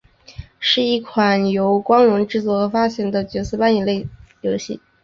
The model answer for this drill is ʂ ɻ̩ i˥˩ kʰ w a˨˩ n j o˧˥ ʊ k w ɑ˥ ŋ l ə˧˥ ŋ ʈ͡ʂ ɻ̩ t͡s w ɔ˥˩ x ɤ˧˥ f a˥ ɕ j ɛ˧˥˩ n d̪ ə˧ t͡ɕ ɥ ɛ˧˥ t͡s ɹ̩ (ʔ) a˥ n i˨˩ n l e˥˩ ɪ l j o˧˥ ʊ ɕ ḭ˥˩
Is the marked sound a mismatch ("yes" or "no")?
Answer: yes